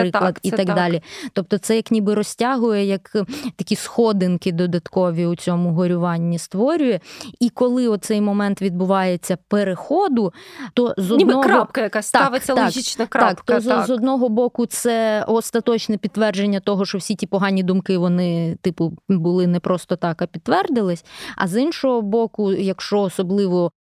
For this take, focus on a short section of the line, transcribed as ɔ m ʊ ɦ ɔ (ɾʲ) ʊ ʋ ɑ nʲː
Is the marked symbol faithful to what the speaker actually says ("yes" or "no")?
yes